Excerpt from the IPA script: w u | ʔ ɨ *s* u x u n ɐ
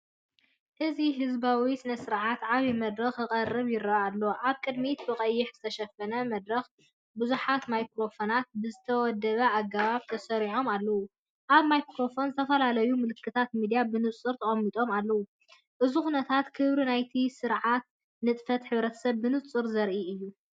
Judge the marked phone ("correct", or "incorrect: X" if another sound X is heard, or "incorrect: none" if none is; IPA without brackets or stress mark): incorrect: z